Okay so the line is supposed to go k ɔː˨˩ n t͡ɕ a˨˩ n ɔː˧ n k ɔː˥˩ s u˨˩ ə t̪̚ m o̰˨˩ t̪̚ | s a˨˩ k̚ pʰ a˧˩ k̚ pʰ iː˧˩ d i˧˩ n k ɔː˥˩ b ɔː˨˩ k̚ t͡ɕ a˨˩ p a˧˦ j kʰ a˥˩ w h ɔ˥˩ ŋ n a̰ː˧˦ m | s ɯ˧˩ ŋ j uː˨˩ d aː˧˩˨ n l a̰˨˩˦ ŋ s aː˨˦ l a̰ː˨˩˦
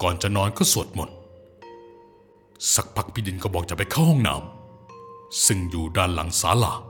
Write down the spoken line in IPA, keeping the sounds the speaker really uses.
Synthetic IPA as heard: k ɔː˨˩ n t͡ɕ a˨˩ n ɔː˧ n k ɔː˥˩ s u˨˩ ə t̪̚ m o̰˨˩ t̪̚ | s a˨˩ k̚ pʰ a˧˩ k̚ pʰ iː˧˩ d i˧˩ n k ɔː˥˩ b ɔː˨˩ k̚ t͡ɕ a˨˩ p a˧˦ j kʰ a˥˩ w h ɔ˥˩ ŋ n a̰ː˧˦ m | s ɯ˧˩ ŋ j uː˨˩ d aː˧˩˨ n l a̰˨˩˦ ŋ s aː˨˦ l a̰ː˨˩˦